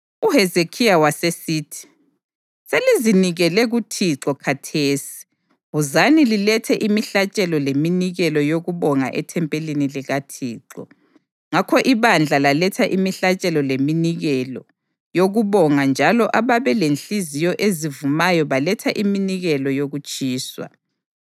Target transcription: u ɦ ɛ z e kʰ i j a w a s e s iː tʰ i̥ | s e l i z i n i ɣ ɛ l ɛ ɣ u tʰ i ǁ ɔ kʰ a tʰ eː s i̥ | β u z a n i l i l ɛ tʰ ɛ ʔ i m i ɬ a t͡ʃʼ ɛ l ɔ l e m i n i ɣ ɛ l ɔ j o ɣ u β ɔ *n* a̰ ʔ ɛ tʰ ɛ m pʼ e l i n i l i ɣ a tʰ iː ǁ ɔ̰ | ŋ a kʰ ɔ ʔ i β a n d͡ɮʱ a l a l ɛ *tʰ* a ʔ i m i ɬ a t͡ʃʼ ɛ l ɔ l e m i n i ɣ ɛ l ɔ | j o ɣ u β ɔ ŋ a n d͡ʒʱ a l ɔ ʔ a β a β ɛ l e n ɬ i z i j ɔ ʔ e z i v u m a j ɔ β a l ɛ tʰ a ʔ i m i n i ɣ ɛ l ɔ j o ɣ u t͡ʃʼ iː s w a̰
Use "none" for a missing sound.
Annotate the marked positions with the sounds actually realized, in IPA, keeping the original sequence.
ŋ, tʰ

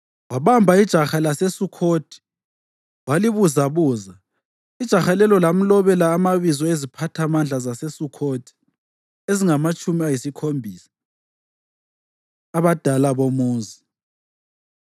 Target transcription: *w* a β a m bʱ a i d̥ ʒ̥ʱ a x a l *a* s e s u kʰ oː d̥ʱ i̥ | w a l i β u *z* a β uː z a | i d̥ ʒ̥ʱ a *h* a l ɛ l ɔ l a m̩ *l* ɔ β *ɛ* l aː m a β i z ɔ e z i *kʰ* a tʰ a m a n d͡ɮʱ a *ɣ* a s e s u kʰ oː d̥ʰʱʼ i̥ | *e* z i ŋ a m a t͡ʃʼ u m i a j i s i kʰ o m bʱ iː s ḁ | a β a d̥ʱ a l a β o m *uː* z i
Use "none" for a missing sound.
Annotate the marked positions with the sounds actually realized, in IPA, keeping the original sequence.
w, a, z, x, l, ɛ, pʰ, z, e, uː

